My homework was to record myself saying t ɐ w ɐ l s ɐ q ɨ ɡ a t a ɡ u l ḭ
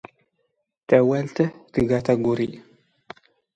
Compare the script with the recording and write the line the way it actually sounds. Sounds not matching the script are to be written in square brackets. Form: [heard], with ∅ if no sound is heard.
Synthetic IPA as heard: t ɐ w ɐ l [t] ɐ [t] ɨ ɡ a t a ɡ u [ɾ] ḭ